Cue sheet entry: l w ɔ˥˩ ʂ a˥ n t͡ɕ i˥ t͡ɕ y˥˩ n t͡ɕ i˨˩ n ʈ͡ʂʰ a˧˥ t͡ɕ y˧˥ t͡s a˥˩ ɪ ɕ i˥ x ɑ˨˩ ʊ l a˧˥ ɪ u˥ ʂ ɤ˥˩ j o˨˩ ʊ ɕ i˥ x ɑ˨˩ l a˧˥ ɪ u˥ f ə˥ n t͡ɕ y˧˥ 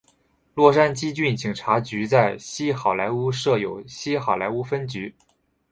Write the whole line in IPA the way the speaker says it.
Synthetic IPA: l w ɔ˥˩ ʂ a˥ n t͡ɕ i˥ t͡ɕ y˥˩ n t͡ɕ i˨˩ ŋ ʈ͡ʂʰ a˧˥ t͡ɕ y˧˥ t͡s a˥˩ ɪ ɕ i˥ x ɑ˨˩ ʊ l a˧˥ ɪ u˥ ʂ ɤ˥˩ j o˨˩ ʊ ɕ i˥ x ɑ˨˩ l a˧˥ ɪ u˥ f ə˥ n t͡ɕ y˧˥